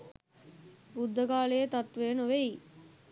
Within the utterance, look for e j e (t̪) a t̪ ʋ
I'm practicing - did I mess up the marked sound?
no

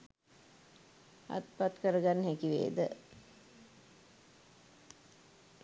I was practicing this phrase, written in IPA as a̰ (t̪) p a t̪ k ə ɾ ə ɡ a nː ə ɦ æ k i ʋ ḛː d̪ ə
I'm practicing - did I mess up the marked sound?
no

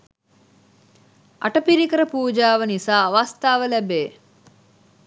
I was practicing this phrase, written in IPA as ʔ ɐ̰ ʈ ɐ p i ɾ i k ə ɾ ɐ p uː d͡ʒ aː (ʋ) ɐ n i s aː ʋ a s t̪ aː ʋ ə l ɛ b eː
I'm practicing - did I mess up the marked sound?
no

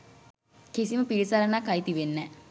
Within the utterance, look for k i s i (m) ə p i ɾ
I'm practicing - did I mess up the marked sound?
no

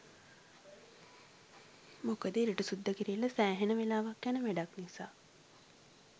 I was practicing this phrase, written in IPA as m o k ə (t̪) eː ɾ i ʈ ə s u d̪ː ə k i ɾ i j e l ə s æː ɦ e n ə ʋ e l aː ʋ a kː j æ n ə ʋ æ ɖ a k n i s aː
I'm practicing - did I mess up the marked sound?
yes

